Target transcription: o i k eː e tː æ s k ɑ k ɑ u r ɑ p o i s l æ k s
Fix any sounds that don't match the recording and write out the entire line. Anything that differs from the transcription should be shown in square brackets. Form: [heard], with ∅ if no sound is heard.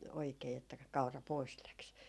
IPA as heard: o i k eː e tː æ [∅] k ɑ k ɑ u r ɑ p o i s l æ k s